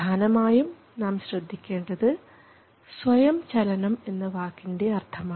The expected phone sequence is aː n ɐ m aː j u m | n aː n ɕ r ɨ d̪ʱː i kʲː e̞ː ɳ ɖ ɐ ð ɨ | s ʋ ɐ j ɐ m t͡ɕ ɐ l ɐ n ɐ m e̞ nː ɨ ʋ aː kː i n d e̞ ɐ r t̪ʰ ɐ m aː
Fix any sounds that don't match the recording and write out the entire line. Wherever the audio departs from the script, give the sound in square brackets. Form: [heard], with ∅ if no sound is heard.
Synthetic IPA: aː n ɐ m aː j u m | n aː [m] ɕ r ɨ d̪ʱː i kʲː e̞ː ɳ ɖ ɐ ð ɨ | s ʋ ɐ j ɐ m t͡ɕ ɐ l ɐ n ɐ m e̞ nː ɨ ʋ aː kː i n d e̞ ɐ r t̪ʰ ɐ m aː